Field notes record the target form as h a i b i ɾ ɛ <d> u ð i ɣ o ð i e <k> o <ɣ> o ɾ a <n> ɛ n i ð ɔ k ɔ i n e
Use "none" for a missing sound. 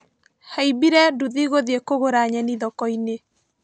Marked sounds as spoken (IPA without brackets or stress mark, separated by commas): d, k, ɣ, ɲ